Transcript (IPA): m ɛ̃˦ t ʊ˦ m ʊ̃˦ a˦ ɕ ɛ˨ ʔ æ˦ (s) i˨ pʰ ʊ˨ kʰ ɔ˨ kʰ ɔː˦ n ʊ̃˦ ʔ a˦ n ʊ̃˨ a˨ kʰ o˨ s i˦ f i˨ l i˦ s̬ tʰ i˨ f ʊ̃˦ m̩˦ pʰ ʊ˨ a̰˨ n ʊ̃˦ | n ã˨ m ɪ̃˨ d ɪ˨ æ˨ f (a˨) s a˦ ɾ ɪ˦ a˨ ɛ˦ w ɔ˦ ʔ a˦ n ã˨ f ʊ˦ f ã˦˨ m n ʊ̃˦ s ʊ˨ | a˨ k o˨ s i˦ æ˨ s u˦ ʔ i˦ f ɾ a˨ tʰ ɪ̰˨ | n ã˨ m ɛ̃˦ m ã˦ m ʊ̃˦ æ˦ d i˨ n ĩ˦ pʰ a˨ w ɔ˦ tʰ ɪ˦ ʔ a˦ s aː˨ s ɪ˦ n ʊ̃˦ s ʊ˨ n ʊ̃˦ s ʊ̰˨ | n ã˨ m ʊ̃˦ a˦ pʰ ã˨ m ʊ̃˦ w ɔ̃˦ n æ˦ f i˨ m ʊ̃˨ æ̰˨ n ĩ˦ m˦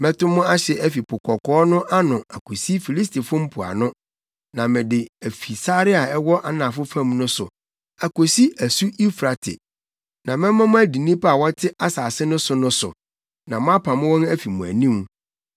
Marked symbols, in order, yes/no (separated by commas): no, no